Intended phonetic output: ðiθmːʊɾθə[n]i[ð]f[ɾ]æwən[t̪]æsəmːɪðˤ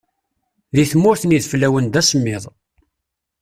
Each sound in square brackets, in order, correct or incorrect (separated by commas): correct, correct, incorrect, incorrect